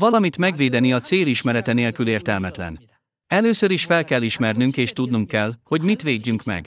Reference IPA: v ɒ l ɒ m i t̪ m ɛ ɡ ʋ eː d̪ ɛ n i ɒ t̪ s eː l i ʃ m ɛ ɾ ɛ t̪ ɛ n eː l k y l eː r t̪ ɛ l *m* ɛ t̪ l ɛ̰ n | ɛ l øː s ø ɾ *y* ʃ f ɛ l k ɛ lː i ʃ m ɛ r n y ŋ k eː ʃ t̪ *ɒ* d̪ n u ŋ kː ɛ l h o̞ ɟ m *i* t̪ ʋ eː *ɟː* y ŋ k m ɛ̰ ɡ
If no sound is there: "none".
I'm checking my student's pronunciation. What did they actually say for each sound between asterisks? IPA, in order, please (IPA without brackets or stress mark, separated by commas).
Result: m, i, u, i, ɟː